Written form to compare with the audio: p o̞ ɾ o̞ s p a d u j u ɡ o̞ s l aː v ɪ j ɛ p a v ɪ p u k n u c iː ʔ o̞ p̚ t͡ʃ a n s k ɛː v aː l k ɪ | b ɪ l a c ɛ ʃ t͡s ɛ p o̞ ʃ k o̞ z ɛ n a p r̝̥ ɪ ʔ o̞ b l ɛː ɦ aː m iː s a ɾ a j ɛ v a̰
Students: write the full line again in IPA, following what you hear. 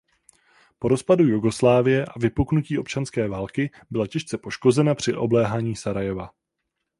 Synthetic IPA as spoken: p o̞ ɾ o̞ s p a d u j u ɡ o̞ s l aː v ɪ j ɛ ʔ a v ɪ p u k n u c iː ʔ o̞ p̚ t͡ʃ a n s k ɛː v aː l k ɪ | b ɪ l a c ɛ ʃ t͡s ɛ p o̞ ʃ k o̞ z ɛ n a p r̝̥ ɪ ʔ o̞ b l ɛː ɦ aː ɲ iː s a ɾ a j ɛ v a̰